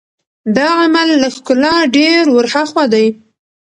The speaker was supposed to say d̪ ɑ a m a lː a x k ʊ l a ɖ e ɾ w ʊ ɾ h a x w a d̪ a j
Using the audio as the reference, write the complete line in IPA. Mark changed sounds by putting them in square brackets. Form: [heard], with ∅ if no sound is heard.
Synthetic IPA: d̪ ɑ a m a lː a x k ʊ l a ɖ e ɾ w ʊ ɾ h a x w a d̪ a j